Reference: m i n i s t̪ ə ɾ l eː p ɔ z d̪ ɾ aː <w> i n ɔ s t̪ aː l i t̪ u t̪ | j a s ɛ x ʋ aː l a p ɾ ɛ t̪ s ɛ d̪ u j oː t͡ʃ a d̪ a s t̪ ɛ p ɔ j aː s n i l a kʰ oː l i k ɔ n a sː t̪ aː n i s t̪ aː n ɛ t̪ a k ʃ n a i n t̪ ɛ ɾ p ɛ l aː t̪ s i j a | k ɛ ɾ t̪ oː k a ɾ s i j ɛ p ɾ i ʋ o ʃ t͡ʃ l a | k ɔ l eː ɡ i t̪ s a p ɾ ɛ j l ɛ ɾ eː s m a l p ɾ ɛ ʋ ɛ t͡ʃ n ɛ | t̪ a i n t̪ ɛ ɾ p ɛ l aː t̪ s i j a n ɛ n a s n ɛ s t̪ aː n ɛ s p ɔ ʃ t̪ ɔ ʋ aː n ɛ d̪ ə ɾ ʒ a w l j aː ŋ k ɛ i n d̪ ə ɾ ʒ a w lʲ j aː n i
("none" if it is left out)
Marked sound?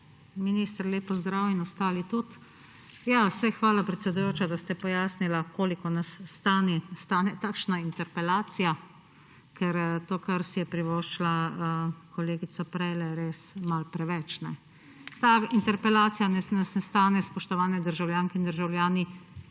w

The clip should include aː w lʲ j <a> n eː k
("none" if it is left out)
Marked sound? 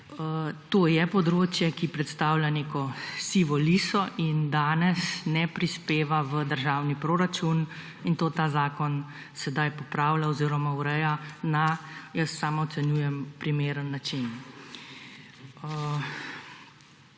a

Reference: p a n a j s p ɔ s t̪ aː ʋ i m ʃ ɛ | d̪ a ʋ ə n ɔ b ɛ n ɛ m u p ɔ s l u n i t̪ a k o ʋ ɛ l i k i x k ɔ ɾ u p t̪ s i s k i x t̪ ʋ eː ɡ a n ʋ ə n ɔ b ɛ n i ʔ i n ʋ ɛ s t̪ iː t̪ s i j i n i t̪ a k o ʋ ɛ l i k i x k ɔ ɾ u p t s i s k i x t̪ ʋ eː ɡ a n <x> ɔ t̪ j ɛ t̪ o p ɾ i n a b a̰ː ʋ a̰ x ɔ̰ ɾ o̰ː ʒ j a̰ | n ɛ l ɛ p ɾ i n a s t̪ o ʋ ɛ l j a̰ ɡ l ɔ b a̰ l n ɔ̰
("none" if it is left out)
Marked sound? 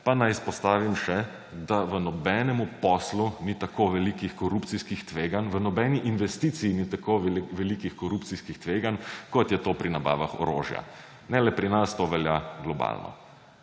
k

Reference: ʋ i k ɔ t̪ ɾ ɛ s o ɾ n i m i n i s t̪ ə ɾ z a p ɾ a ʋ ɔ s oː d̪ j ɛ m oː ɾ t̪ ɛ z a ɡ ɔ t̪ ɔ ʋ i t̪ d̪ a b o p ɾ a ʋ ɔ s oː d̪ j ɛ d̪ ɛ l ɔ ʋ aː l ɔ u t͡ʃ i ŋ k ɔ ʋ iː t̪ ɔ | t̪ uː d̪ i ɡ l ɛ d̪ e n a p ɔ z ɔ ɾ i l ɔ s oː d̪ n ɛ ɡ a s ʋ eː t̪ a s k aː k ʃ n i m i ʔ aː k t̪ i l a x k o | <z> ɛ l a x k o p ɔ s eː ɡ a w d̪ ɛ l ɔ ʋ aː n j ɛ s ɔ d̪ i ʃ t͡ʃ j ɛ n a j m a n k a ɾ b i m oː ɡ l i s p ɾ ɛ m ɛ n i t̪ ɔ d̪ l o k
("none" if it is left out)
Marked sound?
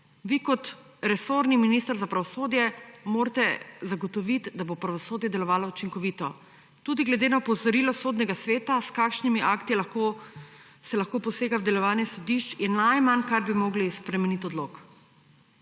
s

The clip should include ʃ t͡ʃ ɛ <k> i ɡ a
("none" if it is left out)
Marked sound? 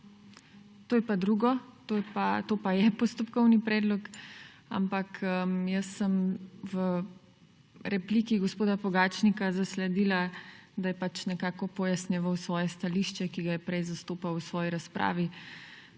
k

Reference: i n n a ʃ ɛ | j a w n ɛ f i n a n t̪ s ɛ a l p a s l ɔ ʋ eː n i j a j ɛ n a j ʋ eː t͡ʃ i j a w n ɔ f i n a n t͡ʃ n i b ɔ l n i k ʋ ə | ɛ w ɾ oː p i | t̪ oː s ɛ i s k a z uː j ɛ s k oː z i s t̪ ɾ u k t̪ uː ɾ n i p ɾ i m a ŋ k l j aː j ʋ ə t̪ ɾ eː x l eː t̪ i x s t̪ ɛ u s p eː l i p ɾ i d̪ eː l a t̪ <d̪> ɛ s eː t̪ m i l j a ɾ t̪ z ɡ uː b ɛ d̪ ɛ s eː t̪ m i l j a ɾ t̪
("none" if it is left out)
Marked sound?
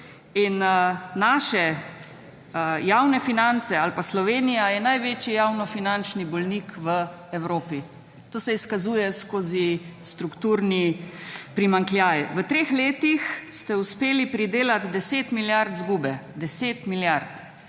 d̪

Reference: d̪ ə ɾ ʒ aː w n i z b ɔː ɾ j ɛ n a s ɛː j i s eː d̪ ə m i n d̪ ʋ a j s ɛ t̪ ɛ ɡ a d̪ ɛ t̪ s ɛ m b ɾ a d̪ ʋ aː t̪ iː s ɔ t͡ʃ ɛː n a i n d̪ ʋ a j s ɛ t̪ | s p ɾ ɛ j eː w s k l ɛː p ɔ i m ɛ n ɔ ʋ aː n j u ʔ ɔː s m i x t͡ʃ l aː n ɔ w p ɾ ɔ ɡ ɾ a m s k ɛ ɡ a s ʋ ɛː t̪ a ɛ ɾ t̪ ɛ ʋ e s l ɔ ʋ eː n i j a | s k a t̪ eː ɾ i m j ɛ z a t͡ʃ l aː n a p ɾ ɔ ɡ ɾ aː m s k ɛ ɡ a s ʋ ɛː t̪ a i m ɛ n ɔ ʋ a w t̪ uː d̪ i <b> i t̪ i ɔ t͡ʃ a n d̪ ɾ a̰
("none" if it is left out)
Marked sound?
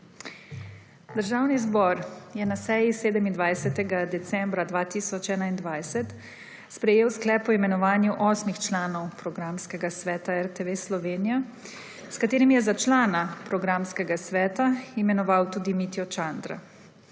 m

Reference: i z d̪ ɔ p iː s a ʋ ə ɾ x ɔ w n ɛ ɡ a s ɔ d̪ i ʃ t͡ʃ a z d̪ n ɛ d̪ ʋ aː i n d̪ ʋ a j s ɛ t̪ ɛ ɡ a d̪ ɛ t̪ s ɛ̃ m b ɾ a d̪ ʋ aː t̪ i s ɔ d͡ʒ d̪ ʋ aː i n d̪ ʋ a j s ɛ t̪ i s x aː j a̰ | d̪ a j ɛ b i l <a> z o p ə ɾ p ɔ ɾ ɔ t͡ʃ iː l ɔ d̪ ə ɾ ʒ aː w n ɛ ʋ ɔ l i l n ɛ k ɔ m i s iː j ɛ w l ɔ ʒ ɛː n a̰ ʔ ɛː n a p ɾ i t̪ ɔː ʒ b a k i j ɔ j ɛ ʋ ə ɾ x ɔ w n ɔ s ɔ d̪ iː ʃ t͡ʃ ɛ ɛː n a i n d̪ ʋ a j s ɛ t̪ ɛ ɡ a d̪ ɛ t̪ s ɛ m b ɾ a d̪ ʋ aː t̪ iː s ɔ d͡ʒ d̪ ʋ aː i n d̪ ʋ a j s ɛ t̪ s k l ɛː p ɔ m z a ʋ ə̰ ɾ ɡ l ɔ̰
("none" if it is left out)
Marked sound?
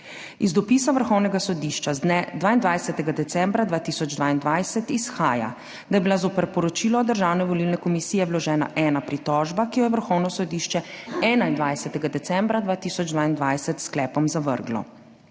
a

